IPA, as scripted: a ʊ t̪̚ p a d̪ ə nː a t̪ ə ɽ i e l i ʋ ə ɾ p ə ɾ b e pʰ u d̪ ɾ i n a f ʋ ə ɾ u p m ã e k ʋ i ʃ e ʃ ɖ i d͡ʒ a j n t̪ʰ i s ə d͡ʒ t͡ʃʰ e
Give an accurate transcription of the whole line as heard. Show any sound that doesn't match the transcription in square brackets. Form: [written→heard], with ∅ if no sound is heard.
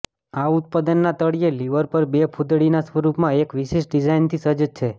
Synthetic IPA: a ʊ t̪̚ p a d̪ ə nː a t̪ ə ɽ i e l i ʋ ə ɾ p ə ɾ b e pʰ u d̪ [ɾ→ɽ] i n a [f→s] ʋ ə ɾ u p m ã e k ʋ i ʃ e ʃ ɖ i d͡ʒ a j n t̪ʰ i s ə d͡ʒ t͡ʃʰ e